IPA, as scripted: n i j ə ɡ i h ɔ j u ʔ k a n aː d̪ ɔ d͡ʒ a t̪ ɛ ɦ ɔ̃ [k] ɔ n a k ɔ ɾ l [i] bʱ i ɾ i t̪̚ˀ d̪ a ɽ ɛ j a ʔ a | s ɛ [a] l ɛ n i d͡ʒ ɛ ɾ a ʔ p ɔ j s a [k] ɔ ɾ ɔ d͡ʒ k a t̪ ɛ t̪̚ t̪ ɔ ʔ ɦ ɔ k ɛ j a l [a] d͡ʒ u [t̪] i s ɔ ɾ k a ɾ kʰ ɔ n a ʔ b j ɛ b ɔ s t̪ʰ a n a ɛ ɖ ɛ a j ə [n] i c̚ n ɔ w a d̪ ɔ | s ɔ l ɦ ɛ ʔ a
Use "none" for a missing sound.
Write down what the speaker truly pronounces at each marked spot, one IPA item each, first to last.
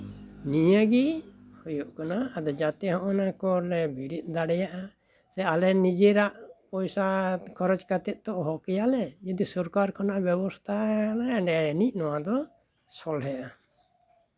ʔ, ɛ, a, kʰ, ɛ, d̪, n

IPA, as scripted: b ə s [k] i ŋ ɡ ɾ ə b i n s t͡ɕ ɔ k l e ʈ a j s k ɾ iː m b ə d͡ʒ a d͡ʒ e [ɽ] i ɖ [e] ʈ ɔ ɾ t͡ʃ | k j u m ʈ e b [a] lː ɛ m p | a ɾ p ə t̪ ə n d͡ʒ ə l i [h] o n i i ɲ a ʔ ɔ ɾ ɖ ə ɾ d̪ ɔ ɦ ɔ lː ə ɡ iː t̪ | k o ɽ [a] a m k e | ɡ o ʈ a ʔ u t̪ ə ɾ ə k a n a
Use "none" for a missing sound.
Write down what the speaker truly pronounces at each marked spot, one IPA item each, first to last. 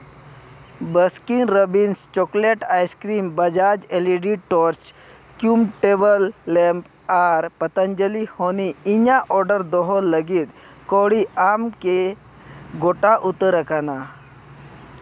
k, l, i, ə, h, i

